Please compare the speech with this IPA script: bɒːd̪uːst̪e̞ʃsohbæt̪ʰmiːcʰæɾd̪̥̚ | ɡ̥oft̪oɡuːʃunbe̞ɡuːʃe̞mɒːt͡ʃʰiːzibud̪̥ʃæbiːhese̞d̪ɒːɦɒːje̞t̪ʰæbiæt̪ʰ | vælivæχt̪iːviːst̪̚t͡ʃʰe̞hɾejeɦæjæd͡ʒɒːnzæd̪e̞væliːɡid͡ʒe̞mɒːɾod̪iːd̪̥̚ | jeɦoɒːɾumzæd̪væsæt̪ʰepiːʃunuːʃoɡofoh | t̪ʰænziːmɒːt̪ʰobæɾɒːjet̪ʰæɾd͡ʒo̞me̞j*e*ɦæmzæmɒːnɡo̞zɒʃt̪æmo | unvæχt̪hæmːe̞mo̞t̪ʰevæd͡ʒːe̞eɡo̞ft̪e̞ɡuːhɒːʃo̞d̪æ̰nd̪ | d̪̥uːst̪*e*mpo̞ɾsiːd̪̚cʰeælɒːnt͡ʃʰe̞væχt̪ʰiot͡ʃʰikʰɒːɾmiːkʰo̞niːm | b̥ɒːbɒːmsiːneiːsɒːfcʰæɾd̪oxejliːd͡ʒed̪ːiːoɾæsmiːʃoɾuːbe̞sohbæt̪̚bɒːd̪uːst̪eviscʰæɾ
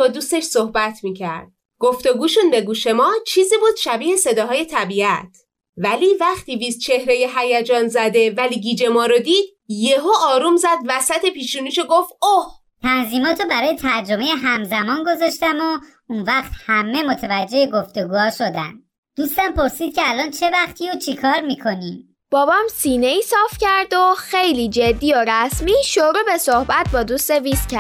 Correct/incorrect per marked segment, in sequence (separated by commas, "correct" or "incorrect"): correct, incorrect